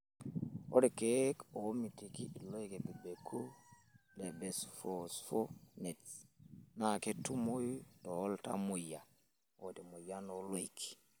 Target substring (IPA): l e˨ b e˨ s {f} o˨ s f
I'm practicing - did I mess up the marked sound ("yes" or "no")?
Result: no